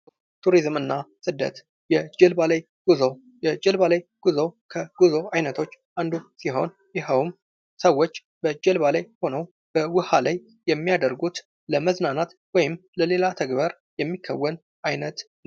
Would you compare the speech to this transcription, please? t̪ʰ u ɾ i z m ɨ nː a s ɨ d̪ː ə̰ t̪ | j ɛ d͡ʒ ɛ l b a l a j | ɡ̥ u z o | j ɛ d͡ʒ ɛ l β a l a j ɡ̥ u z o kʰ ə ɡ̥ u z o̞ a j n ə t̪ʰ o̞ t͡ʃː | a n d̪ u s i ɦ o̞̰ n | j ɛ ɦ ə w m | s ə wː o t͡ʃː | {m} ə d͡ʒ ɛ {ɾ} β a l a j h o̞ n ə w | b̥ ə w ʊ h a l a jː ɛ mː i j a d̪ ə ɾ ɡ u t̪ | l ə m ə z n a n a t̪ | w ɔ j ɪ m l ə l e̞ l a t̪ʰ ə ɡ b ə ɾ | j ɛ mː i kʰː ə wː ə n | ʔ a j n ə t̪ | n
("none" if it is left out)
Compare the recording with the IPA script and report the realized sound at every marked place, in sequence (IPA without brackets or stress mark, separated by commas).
b, l